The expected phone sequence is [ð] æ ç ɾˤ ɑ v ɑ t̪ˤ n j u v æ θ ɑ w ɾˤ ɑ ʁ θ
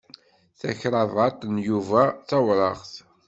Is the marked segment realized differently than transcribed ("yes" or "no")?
yes